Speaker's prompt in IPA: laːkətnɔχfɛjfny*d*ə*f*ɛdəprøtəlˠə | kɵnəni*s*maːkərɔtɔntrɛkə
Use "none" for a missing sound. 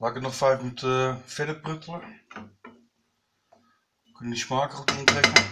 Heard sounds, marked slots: t, f, s

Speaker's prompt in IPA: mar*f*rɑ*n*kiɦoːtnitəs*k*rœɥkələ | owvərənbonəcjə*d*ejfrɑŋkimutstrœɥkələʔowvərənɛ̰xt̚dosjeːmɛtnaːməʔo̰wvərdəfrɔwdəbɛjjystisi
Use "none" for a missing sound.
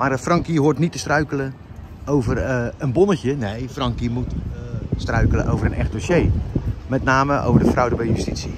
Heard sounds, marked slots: f, ŋ, t, n

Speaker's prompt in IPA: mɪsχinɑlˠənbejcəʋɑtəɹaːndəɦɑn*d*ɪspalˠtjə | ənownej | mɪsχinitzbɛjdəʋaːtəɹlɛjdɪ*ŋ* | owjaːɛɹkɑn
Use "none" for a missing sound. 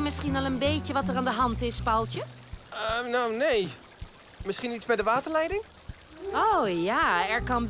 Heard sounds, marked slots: t, ŋ

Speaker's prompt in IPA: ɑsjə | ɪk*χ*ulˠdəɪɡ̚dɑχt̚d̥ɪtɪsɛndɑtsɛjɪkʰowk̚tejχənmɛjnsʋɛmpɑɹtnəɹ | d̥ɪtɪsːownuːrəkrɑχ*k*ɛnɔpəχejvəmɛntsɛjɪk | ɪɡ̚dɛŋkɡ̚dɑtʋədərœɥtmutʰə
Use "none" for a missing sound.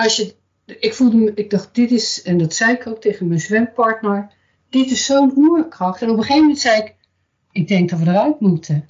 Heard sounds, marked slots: f, t

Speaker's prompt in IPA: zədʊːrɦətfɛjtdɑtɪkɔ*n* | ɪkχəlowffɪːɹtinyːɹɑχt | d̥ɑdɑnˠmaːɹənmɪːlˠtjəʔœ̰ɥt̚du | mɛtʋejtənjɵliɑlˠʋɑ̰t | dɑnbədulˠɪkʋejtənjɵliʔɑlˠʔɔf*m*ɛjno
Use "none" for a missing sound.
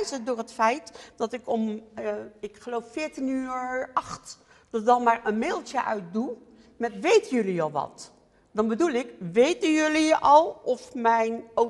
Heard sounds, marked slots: m, m

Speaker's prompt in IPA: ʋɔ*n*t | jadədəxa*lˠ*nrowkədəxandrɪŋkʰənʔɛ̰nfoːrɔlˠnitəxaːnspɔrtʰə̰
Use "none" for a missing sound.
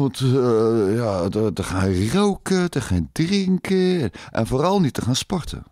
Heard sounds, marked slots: n, none

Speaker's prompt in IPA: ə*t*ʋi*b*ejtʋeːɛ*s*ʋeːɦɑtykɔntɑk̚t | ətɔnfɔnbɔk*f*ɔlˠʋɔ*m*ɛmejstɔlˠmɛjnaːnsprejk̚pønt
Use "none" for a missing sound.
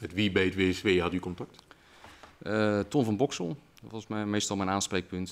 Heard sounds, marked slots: t, b, s, s, m

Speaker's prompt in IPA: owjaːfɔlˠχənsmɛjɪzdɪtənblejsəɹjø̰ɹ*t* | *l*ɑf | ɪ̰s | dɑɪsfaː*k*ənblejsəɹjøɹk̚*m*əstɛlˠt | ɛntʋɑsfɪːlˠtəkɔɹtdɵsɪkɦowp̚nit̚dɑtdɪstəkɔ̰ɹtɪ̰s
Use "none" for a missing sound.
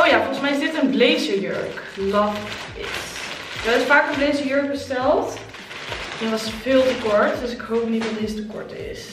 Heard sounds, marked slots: k, l, k, b

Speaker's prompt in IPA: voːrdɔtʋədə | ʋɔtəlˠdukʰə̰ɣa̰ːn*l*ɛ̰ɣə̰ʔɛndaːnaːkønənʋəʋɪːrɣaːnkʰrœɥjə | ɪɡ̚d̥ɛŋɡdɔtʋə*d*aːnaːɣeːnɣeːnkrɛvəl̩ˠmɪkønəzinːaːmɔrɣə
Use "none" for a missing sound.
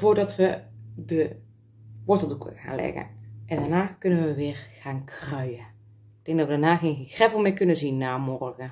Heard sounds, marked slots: l, d

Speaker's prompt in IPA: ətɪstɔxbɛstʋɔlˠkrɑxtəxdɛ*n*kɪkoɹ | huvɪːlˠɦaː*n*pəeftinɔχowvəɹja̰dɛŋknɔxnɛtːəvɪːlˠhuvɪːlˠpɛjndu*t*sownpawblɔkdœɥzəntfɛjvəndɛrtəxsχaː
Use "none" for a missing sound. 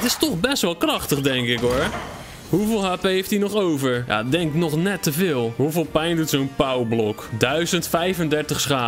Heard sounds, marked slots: ŋ, none, t

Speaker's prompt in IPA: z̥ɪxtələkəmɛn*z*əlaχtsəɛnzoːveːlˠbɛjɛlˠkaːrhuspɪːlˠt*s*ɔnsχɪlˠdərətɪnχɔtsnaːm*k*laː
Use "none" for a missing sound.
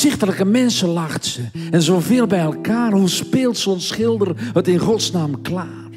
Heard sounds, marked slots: s, s, k

